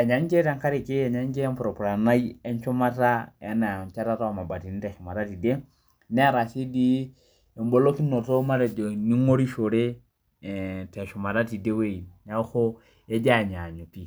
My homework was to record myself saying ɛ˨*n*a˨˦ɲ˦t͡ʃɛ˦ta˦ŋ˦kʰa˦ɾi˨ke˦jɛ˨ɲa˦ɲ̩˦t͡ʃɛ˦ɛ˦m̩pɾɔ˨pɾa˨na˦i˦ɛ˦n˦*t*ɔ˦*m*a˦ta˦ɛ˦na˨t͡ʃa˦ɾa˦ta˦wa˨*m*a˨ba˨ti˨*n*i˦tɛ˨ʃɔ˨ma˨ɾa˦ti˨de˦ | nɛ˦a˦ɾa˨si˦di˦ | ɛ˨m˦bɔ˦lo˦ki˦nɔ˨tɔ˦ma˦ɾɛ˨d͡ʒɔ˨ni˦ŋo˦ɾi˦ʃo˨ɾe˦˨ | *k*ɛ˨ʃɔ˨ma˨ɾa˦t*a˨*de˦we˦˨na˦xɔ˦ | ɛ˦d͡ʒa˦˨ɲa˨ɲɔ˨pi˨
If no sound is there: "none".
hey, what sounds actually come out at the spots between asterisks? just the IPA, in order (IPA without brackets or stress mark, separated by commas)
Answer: ɲ, t͡ʃ, m, m, n, t, i˨